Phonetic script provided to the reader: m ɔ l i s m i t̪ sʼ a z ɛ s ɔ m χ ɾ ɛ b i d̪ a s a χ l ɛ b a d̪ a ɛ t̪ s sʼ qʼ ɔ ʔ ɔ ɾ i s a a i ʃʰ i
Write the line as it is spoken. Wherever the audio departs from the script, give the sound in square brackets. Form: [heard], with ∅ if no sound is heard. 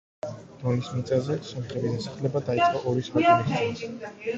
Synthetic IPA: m ɔ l i s m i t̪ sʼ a z ɛ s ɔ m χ ɾ ɛ b i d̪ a s a χ l ɛ b a d̪ a [i] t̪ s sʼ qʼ ɔ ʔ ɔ ɾ i s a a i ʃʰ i